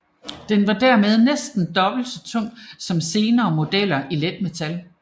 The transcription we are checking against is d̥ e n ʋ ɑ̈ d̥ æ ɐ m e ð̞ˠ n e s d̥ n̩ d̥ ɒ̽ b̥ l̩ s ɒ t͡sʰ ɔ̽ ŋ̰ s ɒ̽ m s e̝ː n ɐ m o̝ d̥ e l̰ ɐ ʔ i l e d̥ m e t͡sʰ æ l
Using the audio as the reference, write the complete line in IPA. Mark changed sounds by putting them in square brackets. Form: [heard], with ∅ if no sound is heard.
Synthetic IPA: d̥ e n ʋ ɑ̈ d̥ æ ɐ m e ð̞ˠ n e s d̥ n̩ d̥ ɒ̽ b̥ l̩ s ɒ t͡sʰ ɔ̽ ŋ̰ s ɒ̽ m s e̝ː n [ɐː] m o̝ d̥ e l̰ ɐ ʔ i l e d̥ m e t͡sʰ æ l